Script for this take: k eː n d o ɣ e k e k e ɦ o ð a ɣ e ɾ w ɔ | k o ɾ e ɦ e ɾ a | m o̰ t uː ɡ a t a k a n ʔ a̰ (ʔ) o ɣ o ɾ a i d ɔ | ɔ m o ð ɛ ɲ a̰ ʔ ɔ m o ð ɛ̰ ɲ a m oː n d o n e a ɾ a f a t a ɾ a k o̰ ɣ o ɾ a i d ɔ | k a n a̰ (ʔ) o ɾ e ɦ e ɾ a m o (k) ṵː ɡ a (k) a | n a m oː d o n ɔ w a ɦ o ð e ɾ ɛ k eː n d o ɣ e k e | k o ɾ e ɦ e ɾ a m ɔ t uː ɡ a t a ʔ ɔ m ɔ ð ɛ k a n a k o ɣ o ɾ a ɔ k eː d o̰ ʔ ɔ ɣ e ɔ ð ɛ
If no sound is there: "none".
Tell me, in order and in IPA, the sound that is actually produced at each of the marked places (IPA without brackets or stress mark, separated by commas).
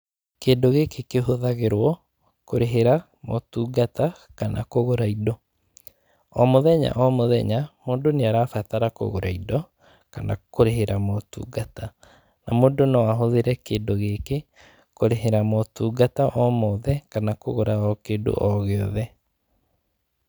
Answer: k, k, t, t